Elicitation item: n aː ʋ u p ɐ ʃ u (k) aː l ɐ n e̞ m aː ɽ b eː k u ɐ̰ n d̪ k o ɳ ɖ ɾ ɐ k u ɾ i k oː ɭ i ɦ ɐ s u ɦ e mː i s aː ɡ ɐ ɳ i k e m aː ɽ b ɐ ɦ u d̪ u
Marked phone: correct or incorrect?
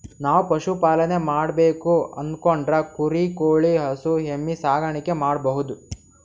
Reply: incorrect: p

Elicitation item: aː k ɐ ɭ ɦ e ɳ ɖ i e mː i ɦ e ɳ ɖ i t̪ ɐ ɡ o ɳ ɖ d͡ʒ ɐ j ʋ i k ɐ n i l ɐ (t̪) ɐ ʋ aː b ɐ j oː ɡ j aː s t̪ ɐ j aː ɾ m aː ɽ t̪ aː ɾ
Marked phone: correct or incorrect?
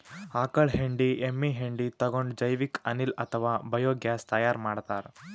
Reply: incorrect: t̪ʰ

